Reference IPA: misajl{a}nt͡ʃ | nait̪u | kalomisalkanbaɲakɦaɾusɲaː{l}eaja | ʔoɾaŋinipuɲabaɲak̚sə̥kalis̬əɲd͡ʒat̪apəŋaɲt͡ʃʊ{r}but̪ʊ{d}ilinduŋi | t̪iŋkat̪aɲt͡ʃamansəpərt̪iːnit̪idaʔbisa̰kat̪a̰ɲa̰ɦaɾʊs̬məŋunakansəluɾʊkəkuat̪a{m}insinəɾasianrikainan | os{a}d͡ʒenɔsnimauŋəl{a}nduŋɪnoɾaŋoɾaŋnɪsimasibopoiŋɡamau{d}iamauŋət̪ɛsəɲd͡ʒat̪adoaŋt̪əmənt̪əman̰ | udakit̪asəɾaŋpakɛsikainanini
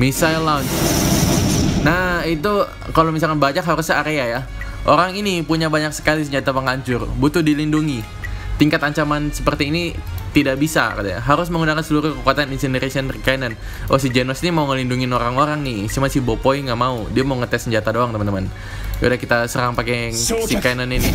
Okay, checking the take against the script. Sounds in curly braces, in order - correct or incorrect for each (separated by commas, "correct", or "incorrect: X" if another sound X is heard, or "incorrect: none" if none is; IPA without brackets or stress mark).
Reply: correct, incorrect: ɾ, correct, correct, incorrect: n, incorrect: i, incorrect: i, correct